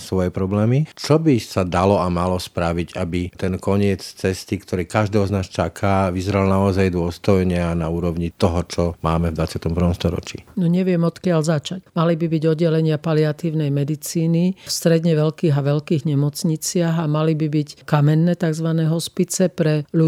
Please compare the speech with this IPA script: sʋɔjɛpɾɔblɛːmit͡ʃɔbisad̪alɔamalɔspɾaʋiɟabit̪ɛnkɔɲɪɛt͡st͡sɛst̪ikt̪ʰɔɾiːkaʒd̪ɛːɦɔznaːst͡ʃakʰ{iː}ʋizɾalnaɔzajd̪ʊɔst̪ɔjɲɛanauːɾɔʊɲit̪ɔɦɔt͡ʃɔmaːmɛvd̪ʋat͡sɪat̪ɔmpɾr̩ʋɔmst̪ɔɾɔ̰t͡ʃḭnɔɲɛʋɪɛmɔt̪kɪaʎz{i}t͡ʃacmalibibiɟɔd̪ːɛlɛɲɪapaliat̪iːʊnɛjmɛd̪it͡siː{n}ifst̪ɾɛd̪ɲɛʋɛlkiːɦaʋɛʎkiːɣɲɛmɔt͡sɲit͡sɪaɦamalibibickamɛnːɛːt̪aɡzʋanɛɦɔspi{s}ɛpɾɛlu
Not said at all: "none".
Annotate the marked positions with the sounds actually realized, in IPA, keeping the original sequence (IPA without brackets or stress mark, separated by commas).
aː, a, n, t͡s